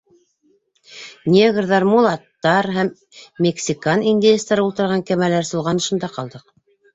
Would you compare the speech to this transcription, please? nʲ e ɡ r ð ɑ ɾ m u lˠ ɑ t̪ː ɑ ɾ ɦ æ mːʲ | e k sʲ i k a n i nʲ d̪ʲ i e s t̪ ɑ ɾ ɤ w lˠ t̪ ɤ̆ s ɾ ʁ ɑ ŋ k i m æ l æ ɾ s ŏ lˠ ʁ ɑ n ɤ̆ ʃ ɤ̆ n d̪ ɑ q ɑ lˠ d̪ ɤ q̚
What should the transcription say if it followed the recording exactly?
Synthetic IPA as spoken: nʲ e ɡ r ð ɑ ɾ m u lˠ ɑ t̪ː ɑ ɾ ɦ æ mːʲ | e k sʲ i k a n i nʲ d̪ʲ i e s t̪ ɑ ɾ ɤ u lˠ t̪ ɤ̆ ɾ ʁ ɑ ŋ k æ m æ l æ ɾ s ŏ lˠ ʁ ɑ n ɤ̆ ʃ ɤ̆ n d̪ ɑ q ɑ lˠ d̪ ɤ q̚